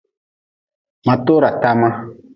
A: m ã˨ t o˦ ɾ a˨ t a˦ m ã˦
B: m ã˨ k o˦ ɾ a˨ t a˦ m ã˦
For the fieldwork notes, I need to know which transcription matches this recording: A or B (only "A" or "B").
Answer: A